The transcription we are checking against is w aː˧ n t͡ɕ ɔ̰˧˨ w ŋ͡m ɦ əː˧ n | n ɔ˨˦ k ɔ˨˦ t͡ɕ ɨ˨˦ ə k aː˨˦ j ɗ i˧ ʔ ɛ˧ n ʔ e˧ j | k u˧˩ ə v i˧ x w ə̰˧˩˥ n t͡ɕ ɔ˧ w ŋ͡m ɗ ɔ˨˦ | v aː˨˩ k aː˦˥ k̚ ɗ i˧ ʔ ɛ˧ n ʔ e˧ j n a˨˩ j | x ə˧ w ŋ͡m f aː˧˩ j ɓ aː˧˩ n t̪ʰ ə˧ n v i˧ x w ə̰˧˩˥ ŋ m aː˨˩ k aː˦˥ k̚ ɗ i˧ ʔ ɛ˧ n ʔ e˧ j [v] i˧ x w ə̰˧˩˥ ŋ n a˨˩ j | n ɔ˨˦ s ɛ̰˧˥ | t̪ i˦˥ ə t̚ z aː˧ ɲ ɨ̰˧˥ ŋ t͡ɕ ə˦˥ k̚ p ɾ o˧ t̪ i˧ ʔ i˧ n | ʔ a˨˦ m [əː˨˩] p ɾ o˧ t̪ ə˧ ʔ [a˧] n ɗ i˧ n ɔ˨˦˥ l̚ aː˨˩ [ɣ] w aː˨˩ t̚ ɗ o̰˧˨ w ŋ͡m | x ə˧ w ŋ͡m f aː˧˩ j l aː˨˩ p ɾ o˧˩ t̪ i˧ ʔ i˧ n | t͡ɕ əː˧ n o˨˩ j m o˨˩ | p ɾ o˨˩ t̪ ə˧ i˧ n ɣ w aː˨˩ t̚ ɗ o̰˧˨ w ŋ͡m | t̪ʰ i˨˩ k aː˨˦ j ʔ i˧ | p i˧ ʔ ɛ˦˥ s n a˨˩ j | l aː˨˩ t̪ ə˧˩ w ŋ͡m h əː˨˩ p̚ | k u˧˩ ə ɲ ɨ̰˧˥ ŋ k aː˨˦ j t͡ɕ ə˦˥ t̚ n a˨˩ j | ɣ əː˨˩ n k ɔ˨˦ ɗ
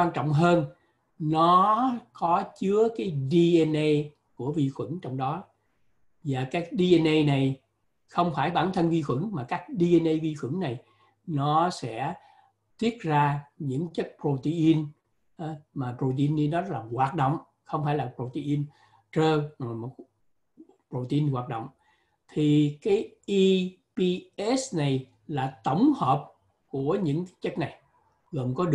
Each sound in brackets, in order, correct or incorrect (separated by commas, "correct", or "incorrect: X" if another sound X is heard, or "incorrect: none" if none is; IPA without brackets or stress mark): correct, incorrect: aː˨˩, incorrect: i˧, correct